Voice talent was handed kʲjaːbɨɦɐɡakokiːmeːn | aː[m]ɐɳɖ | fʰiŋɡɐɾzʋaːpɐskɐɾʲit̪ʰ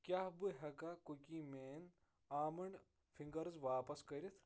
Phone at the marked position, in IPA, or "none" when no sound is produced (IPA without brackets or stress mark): m